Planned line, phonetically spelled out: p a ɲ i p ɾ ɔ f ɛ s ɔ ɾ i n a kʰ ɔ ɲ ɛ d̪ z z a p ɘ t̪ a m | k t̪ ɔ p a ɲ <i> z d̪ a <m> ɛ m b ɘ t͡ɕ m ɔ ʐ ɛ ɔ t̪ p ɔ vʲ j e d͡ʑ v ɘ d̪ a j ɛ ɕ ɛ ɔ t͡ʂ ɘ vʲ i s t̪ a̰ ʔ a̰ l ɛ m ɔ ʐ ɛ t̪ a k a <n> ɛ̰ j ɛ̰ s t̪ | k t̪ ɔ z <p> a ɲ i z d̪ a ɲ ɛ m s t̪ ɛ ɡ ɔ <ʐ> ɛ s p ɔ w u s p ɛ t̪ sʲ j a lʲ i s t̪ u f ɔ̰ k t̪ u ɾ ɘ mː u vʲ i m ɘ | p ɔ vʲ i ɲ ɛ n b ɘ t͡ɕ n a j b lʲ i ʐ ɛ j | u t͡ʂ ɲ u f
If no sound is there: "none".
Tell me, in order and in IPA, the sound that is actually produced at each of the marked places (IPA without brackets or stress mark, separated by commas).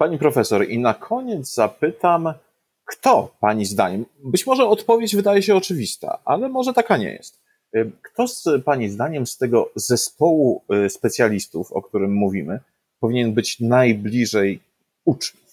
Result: i, ɲ, ɲ, p, z